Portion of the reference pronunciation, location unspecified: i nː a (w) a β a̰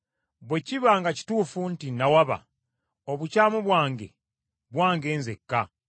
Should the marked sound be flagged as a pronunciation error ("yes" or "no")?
no